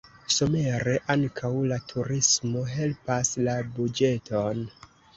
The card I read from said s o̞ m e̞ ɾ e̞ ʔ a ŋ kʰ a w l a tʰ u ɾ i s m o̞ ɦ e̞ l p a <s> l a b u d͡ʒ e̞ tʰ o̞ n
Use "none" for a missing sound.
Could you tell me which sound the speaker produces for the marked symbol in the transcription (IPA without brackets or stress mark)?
s